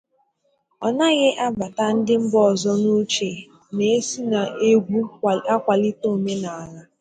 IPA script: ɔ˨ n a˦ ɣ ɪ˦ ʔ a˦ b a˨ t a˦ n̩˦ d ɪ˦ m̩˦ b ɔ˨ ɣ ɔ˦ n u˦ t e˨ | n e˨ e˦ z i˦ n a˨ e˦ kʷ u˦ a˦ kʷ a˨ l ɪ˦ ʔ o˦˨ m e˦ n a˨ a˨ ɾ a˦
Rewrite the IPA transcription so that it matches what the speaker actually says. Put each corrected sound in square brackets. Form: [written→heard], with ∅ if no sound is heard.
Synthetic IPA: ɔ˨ n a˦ ɣ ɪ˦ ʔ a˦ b a˨ t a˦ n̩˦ d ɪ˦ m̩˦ b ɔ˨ [ɣ→z] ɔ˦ n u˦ [t→t͡ʃ] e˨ | n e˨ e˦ [z→s] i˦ n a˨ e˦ [kʷ→ɡʷ] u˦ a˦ kʷ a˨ l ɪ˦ [ʔ→t] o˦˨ m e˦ n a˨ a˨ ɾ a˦